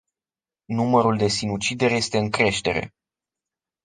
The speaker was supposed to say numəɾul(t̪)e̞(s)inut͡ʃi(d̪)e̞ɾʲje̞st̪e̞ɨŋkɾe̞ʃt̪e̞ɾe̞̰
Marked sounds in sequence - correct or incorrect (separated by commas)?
incorrect, correct, correct